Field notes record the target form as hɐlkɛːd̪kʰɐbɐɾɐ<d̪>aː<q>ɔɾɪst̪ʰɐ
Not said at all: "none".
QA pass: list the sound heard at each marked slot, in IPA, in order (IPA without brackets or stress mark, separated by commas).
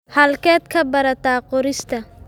t̪, q